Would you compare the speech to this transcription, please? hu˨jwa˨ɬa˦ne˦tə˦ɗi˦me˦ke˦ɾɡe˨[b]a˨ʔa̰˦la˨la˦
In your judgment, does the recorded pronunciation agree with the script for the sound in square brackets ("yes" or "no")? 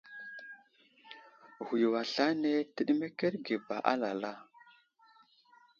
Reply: yes